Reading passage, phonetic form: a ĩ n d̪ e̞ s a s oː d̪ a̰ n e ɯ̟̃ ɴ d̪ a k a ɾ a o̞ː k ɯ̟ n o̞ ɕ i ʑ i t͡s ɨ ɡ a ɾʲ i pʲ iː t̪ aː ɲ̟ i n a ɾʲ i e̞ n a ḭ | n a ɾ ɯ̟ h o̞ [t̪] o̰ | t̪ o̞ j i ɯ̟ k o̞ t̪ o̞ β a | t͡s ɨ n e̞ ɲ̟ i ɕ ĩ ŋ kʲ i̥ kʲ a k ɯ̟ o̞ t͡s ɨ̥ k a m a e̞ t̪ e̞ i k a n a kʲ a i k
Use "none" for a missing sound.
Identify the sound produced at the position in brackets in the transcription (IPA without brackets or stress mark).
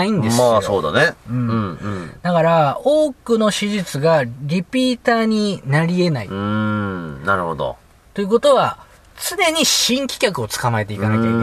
d̪